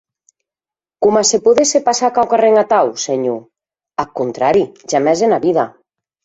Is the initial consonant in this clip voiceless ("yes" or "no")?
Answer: yes